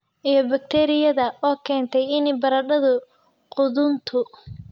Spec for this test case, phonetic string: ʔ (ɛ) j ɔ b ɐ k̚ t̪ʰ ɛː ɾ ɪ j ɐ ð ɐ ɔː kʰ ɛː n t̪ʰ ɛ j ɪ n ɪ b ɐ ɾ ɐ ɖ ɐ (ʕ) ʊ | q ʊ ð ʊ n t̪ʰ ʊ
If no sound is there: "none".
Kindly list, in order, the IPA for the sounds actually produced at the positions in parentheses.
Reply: i, ð

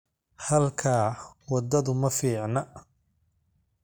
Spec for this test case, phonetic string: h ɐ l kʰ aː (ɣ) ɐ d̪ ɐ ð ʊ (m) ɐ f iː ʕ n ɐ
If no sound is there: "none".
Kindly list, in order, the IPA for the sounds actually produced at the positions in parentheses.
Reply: w, m

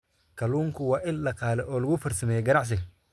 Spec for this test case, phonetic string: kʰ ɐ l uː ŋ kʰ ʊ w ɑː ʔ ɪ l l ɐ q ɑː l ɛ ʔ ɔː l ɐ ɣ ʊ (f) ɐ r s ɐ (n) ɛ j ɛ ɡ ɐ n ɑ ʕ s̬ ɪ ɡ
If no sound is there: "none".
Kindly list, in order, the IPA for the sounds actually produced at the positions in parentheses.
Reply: f, m

